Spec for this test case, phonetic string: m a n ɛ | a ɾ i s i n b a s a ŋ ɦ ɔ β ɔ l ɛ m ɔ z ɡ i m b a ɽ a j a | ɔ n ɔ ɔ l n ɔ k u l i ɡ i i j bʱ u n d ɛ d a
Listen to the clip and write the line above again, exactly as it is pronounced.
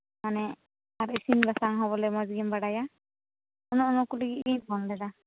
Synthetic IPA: m a n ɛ | a ɾ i s i n b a s a ŋ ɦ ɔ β ɔ l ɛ m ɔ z ɡ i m b a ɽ a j a | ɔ n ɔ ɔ n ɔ k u l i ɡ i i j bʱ ɔ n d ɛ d a

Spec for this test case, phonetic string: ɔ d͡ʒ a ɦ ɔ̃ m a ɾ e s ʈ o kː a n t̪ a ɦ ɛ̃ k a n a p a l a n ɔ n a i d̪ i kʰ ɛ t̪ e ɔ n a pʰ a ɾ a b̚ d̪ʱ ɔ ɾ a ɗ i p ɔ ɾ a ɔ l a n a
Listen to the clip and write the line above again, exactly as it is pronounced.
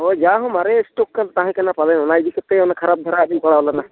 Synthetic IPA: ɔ d͡ʒ a ɦ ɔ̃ m a ɾ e s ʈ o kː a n t̪ a ɦ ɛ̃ k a n a p a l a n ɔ n a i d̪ i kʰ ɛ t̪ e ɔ n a kʰ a ɾ a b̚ d̪ʱ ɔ ɾ a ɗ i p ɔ ɽ a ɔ l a n a

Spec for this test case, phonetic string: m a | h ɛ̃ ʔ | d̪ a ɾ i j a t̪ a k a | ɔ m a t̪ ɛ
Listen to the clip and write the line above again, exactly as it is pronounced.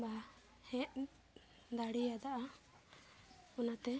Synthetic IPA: b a | h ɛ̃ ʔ | d̪ a ɽ i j a d̪ a ʔ a | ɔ n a t̪ ɛ

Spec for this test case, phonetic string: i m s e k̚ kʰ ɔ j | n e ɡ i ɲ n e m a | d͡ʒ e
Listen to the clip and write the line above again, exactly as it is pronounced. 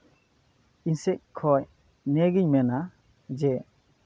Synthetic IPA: i n s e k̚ kʰ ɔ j | n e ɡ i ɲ m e n a | d͡ʒ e

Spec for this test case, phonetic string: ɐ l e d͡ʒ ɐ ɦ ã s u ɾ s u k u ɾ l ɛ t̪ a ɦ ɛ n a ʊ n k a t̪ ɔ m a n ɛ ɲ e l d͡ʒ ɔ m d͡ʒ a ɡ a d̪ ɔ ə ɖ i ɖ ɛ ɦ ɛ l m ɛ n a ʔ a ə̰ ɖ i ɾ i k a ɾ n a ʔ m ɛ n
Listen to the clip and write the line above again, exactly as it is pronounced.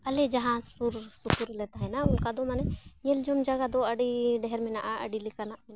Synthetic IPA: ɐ l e d͡ʒ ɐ ɦ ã s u ɾ s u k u ɾ l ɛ t̪ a ɦ ɛ n a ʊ n k a d̪ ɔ m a n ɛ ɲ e l d͡ʒ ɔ m d͡ʒ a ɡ a d̪ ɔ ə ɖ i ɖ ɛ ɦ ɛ ɾ m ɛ n a ʔ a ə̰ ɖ i l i k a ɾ n a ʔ m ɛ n

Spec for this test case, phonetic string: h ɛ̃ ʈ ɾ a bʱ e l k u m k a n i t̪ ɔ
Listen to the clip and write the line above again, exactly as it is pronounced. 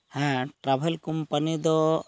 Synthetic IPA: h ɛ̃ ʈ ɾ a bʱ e l k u m p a n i d̪ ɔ

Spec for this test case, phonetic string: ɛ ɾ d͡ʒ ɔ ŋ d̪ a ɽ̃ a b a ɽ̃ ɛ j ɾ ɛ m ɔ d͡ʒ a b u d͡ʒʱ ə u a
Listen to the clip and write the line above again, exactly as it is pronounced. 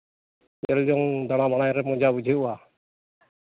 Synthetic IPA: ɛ l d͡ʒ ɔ ŋ d̪ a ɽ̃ a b a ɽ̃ a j ɾ ɛ m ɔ d͡ʒ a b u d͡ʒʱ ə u a

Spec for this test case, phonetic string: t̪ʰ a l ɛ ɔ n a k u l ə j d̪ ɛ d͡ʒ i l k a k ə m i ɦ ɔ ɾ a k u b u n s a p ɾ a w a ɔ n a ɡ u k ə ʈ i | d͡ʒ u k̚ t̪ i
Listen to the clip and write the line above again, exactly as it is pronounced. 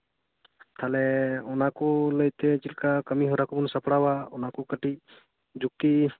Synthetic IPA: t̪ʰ a l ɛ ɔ n a k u l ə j t̪ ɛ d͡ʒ i l k a k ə m i ɦ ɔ ɾ a k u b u n s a p ɽ a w a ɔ n a k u k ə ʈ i | d͡ʒ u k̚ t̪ i

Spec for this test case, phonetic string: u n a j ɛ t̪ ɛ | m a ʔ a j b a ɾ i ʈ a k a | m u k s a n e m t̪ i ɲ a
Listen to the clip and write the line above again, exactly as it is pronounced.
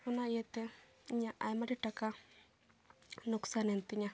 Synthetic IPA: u n a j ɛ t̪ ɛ | ɲ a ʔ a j m a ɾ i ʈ a k a | n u k s a n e n t̪ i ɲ a

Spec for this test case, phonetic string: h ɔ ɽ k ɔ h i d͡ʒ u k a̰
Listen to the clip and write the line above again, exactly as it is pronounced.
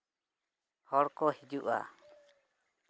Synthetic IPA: h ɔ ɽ k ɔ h i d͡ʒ u ʔ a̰

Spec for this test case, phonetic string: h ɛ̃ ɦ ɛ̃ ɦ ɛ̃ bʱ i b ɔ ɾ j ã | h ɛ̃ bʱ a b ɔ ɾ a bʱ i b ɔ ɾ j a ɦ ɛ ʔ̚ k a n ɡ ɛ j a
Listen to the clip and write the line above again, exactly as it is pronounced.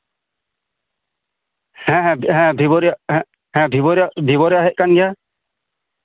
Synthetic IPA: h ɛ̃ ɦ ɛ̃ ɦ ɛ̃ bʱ i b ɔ ɾ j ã | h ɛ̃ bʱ i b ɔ ɾ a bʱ i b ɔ ɾ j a ɦ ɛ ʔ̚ k a n ɡ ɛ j a

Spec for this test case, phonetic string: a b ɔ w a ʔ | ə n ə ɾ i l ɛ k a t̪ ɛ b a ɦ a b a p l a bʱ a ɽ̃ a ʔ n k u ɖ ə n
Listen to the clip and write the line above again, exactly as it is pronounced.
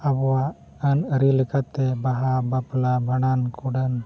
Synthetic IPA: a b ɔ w a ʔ | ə n ə ɾ i l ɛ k a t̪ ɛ b a ɦ a b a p l a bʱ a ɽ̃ a n k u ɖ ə n

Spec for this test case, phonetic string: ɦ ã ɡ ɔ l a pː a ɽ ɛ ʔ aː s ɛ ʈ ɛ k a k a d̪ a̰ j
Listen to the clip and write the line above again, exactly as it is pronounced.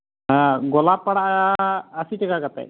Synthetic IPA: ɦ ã ɡ ɔ l a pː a ɽ a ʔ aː s i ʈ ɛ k a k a t̪ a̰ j

